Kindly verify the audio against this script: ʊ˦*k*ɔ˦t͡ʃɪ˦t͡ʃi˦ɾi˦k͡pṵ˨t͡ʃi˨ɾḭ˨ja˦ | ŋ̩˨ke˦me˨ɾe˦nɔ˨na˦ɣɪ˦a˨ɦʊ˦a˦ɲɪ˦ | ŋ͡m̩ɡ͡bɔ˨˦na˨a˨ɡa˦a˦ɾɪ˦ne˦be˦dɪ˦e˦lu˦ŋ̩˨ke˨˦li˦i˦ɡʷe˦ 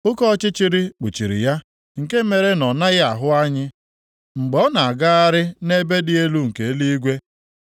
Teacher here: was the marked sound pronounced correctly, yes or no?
yes